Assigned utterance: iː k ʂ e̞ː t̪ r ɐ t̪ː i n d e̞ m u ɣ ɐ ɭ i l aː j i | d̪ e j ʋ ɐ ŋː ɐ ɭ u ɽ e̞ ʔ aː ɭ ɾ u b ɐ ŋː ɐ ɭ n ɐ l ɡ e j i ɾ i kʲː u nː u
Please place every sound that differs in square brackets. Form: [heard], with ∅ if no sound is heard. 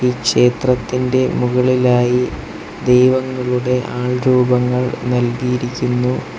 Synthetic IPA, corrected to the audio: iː k ʂ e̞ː t̪ r ɐ t̪ː i n d e̞ m u ɣ ɐ ɭ i l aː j i | d̪ e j ʋ ɐ ŋː ɐ ɭ u ɽ e̞ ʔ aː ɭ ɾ [uː] b ɐ ŋː ɐ ɭ n ɐ l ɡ [i] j i ɾ i kʲː u nː u